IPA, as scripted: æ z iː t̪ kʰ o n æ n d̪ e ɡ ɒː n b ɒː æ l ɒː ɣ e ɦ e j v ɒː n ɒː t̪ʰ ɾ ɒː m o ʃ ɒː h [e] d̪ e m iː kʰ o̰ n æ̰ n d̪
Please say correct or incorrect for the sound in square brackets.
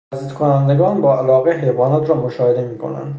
correct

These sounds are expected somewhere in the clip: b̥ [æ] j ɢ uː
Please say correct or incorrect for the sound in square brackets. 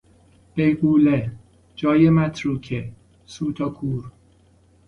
incorrect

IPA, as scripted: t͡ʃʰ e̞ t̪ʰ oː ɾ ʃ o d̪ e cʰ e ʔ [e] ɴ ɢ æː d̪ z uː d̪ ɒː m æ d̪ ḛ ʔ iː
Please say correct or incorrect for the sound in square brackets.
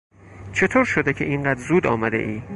incorrect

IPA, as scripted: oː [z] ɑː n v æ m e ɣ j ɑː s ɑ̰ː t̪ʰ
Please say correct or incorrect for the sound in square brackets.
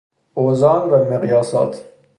correct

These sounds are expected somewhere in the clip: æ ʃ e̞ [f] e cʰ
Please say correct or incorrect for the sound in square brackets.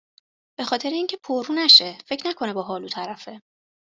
correct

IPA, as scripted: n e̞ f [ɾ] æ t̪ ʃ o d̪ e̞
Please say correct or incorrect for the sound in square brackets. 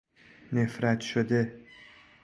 correct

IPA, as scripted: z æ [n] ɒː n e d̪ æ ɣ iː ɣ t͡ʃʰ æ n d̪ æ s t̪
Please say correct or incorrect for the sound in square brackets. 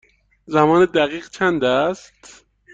incorrect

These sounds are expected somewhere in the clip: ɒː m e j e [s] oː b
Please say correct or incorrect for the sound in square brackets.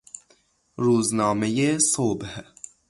correct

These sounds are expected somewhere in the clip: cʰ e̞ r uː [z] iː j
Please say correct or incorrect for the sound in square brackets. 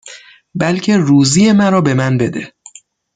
correct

